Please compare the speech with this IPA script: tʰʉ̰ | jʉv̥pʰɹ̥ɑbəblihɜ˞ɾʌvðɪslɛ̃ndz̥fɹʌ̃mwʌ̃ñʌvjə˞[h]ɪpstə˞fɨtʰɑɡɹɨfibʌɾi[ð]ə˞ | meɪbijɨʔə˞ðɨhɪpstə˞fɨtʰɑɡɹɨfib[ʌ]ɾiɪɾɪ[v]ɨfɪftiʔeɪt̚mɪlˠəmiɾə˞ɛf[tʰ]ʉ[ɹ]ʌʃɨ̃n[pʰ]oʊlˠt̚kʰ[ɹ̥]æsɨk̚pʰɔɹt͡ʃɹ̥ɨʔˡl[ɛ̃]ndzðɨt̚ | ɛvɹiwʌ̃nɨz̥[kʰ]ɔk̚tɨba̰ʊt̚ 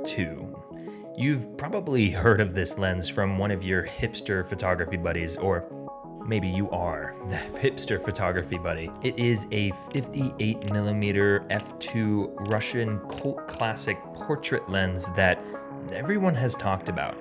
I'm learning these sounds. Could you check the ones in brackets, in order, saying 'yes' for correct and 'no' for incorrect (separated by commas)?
yes, no, yes, no, yes, yes, no, no, yes, no